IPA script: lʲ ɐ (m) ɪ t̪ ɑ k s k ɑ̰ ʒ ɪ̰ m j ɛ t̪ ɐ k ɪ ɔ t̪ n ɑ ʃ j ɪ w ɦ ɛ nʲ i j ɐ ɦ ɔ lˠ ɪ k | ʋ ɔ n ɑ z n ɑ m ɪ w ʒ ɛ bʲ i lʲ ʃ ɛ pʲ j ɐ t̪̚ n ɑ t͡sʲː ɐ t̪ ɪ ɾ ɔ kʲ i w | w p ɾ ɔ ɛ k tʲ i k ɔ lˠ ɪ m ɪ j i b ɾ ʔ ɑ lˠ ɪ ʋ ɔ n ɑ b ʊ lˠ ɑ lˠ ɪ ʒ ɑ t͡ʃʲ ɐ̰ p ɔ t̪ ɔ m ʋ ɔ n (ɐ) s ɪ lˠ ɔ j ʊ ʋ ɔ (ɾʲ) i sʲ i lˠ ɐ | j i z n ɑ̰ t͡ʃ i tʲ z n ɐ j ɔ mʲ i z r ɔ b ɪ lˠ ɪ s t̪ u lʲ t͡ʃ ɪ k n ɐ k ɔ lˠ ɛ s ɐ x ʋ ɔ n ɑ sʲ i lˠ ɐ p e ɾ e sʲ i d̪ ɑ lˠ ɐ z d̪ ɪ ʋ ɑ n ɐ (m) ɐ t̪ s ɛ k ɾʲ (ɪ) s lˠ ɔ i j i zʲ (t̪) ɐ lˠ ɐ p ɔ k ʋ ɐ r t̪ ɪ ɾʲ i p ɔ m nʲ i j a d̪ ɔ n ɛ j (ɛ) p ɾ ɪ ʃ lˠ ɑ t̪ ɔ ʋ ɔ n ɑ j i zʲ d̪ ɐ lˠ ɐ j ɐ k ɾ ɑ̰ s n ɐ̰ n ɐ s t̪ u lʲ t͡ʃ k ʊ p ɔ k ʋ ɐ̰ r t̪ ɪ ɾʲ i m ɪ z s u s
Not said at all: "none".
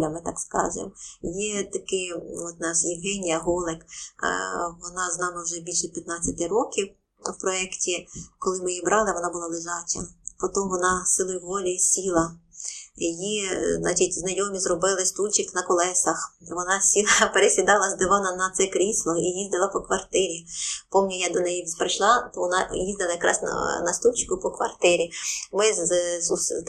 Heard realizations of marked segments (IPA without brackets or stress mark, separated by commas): m, ɑ, lʲ, n, i, d̪, i